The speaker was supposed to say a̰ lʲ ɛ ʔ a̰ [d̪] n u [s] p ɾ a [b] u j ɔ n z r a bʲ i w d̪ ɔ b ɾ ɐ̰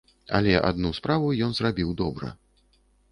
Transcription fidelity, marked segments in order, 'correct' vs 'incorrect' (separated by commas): correct, correct, incorrect